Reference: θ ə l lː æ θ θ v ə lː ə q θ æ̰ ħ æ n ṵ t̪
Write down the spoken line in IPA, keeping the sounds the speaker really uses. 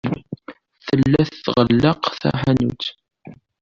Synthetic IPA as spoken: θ ə l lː æ θ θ ʁ ə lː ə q θ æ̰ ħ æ n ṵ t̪